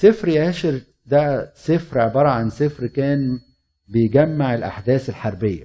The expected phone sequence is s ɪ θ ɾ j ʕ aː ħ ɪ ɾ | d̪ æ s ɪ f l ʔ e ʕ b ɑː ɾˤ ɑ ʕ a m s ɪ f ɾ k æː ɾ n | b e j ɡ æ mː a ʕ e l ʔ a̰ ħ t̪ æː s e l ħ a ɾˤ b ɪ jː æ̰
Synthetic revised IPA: s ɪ f ɾ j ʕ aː ʃ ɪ ɾ | d̪ æ s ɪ f ɾ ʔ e ʕ b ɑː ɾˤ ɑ ʕ a n s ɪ f ɾ k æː n | b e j ɡ æ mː a ʕ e l ʔ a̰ ħ d̪ æː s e l ħ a ɾˤ b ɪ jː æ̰